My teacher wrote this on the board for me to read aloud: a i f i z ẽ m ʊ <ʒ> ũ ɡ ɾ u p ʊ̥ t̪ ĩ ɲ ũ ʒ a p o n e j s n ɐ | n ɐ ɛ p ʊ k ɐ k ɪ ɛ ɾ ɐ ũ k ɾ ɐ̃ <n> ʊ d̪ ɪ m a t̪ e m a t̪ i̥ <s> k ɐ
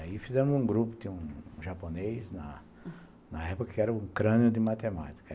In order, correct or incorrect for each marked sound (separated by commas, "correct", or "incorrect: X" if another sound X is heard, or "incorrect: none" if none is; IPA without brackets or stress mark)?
incorrect: z, correct, incorrect: none